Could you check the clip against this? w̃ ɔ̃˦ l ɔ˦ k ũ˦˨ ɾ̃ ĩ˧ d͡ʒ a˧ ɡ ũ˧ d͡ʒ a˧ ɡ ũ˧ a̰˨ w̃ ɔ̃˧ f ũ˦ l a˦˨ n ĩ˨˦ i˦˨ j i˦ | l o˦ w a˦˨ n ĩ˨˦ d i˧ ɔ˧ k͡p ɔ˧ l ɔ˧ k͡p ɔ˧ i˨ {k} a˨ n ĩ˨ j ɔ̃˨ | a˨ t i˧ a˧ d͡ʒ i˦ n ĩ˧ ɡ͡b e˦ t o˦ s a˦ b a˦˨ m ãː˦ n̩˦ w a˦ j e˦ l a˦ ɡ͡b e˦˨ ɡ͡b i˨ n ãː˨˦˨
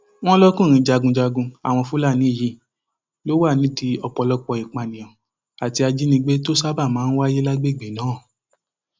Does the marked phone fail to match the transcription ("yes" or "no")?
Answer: yes